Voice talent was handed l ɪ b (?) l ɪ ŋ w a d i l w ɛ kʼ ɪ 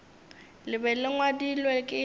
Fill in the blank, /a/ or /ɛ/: ɛ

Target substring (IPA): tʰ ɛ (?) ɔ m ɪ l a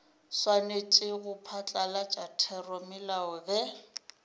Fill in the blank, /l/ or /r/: r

